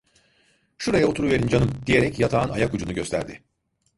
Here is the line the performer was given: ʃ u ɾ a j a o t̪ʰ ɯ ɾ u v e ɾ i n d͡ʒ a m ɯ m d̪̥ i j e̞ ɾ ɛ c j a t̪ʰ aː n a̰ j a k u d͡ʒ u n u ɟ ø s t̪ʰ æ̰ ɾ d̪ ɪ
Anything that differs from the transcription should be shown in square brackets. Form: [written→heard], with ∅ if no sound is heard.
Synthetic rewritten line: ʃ u ɾ a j a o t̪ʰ [ɯ→u] ɾ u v e ɾ i n d͡ʒ a [m→n] ɯ m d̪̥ i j e̞ ɾ ɛ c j a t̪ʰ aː n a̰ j a k u d͡ʒ u n u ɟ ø s t̪ʰ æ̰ ɾ d̪ ɪ

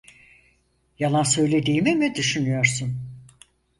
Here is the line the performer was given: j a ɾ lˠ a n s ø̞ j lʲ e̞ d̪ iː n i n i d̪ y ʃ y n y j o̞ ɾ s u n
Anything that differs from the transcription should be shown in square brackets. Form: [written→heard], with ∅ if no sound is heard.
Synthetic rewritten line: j a [ɾ→∅] lˠ a n s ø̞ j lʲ e̞ d̪ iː [n→m] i [n→m] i d̪ y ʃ y n y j o̞ ɾ s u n

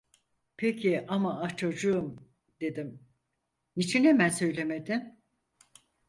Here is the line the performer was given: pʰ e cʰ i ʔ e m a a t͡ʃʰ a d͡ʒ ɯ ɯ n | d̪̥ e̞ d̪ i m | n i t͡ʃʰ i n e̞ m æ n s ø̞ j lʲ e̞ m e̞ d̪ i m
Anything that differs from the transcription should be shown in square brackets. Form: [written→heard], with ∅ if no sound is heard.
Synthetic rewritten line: pʰ e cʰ i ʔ [e→a] m a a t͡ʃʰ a d͡ʒ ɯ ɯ [n→m] | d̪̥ e̞ d̪ i m | n i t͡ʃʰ i n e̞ m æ n s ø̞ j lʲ e̞ m e̞ d̪ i m

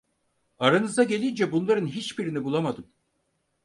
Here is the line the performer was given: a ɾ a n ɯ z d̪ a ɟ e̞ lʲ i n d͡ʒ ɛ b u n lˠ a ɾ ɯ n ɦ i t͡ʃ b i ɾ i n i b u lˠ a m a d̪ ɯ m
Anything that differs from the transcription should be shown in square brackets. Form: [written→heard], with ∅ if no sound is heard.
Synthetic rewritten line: a ɾ a n ɯ z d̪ a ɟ e̞ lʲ i n d͡ʒ ɛ b u n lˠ a ɾ ɯ n ɦ i t͡ʃ b i ɾ i n i b u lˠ a m a d̪ ɯ m

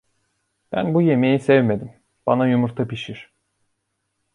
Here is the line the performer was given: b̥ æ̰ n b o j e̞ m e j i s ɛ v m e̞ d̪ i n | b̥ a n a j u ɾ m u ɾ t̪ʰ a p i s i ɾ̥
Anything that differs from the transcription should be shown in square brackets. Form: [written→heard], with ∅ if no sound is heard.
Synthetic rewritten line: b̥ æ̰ n b [o→u] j e̞ m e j i s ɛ v m e̞ d̪ i [n→m] | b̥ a n a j u [ɾ→∅] m u ɾ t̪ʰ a p i [s→ʃ] i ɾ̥

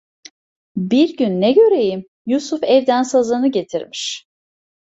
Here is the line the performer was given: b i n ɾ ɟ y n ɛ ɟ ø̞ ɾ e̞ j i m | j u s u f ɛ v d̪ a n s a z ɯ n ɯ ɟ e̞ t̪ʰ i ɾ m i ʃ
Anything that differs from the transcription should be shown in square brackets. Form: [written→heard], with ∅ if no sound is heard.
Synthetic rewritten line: b i [n→∅] ɾ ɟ y [n→nː] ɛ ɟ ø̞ ɾ e̞ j i m | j u s u f ɛ v d̪ [a→æ] n s a z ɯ n ɯ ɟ e̞ t̪ʰ i ɾ m i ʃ

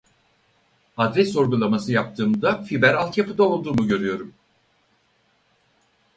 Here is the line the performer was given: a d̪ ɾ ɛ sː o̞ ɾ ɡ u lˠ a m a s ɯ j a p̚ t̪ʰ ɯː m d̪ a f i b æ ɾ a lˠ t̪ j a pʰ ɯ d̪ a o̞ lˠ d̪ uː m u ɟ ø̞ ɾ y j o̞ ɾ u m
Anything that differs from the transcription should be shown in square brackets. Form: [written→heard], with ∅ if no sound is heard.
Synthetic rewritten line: a d̪ ɾ ɛ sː o̞ ɾ ɡ u lˠ a m a s ɯ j a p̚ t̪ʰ ɯː m d̪ a f i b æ ɾ a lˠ t̪ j a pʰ ɯ d̪ a o̞ lˠ d̪ uː m u ɟ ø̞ ɾ y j o̞ ɾ u m

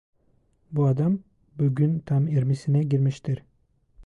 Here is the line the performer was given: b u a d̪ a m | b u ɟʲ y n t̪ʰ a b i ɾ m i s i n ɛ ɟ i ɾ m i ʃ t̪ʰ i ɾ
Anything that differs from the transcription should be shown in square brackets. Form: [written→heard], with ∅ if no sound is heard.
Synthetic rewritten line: b u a d̪ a m | b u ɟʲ y n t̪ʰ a [b→m] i ɾ m i s i n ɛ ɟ i ɾ m i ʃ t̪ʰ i ɾ

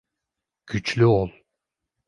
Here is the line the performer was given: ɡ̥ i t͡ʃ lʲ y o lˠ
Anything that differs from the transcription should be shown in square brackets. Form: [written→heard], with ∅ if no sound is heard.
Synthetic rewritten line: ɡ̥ [i→y] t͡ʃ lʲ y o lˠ

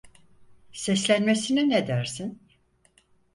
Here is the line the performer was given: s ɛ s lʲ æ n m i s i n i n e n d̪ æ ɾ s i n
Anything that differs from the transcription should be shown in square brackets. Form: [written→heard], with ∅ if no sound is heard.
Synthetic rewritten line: s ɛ s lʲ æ n m [i→e] s i n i n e [n→∅] d̪ æ ɾ s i n

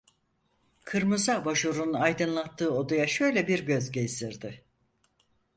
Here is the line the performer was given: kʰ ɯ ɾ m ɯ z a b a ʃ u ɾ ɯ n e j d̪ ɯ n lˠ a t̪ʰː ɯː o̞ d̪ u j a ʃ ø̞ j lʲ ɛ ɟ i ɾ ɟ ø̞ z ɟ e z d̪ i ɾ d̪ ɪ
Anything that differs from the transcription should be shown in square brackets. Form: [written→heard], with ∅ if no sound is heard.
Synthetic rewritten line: kʰ ɯ ɾ m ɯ z a b a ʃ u ɾ [ɯ→u] n [e→a] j d̪ ɯ n lˠ a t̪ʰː ɯː o̞ d̪ u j a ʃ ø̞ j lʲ ɛ [ɟ→b] i ɾ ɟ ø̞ z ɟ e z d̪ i ɾ d̪ ɪ

